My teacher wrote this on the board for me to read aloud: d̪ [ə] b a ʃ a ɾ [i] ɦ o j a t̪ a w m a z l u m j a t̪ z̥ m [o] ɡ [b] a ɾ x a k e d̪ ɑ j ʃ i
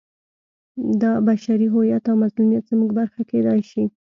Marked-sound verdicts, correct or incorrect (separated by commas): incorrect, correct, incorrect, correct